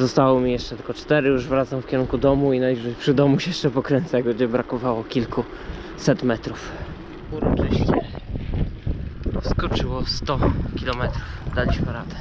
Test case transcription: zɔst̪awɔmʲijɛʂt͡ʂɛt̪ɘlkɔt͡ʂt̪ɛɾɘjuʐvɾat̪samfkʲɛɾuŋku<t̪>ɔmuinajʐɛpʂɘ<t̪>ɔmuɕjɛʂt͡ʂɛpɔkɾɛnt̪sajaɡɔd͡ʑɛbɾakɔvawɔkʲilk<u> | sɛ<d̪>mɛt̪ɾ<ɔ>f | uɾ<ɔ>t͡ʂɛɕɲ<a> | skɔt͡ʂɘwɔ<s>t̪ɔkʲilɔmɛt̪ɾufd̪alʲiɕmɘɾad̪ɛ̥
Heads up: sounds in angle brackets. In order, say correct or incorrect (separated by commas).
incorrect, incorrect, correct, incorrect, incorrect, correct, incorrect, correct